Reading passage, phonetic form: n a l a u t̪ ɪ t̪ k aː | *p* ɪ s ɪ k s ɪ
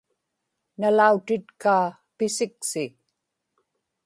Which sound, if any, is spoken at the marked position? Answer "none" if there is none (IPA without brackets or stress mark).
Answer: p